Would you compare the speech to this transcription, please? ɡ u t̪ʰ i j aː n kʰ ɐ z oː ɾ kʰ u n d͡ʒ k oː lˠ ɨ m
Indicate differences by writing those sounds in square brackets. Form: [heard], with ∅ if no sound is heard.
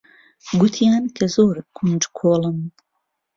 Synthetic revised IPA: ɡ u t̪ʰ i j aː n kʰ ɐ z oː ɾ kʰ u n d͡ʒ [kʰ] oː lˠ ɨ m